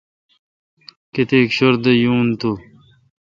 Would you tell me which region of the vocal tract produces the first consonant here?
velum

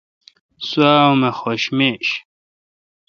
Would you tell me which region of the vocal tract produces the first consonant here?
tongue tip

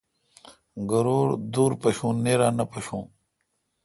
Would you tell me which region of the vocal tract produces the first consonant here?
velum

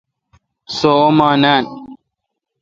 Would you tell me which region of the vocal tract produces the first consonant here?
tongue tip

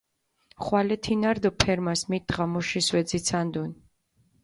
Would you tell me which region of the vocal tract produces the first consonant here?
uvula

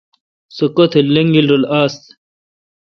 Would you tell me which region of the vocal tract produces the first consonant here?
tongue tip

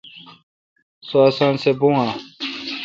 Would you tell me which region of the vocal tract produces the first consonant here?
tongue tip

